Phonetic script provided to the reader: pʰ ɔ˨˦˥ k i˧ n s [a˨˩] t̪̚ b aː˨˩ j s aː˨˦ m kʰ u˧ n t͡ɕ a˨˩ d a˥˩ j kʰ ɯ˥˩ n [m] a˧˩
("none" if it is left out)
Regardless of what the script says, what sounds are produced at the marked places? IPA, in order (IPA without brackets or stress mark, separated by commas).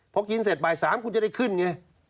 e˨˩, ŋ